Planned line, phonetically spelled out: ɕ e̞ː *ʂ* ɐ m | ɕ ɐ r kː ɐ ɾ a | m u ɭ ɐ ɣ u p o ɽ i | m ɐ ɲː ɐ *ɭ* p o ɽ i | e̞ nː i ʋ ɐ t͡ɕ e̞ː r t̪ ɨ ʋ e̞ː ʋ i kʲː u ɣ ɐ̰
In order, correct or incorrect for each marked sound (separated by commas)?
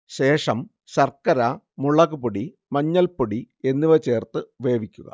correct, incorrect